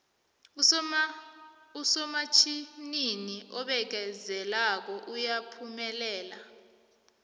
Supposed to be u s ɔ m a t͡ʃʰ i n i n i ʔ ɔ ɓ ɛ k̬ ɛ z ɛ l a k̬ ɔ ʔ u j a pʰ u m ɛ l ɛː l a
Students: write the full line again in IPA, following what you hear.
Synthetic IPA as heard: u s ɔ m a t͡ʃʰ i n i n i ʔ ɔ ɓ ɛ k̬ ɛ z ɛ l a k̬ ɔ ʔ u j a pʰ u m ɛ l ɛː l a

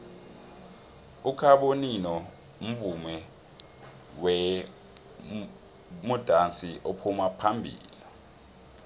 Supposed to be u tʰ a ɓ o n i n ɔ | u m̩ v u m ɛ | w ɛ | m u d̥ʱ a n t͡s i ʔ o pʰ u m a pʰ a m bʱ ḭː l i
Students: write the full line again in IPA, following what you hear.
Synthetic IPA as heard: u kʰ a ɓ o n i n ɔ | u m̩ v u m ɛ | w ɛ | m u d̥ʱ a n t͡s i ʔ o pʰ u m a pʰ a m bʱ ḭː l i

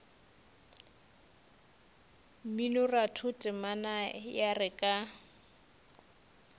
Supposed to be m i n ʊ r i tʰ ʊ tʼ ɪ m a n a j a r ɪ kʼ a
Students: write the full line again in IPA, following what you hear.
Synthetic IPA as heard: m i n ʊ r a tʰ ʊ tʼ ɪ m a n a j a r ɪ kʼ a

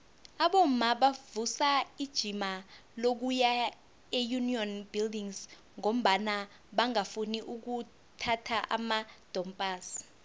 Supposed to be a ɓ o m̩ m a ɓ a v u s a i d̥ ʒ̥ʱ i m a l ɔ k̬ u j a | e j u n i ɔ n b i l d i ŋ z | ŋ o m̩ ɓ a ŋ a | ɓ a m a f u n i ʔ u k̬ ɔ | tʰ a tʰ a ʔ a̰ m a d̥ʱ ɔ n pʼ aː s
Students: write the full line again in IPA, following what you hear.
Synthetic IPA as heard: a ɓ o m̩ m a ɓ a v u s a i d̥ ʒ̥ʱ i m a l o k̬ u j a | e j u n i ɔ n b i l d i ŋ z | ŋ o m̩ ɓ a n a | ɓ a ŋ a f u n i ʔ u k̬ u | tʰ a tʰ a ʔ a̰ m a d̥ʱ ɔ m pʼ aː s

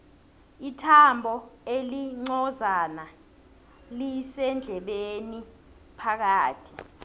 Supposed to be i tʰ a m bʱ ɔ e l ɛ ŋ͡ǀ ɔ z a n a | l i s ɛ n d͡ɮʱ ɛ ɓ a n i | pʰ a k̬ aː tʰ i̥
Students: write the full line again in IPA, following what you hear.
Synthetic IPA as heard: i tʰ a m bʱ ɔ e l i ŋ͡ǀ ɔ z a n a | l i s ɛ n d͡ɮʱ ɛ ɓ e n i | pʰ a k̬ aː tʰ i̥

